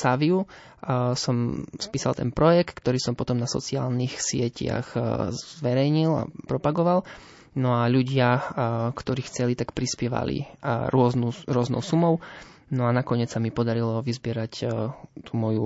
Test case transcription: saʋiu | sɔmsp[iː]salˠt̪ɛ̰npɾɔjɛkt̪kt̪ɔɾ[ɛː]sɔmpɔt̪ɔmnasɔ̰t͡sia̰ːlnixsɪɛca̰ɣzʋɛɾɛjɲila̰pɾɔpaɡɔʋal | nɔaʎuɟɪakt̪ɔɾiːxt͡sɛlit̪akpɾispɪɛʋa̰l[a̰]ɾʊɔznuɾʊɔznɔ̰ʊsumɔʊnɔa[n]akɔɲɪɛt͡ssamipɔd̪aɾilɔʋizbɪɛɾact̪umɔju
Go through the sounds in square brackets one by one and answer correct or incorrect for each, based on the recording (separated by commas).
correct, incorrect, incorrect, correct